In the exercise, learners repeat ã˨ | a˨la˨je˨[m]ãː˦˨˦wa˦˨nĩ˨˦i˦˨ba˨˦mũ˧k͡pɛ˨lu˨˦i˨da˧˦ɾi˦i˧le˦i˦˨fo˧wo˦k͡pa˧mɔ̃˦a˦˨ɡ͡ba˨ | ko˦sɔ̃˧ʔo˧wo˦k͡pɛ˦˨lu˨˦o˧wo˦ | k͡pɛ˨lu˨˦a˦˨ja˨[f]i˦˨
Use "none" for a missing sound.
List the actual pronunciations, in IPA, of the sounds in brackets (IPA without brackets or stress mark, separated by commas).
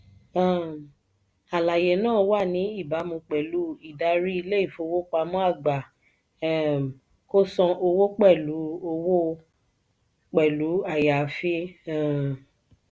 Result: n, f